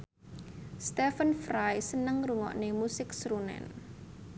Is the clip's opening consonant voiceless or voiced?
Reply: voiceless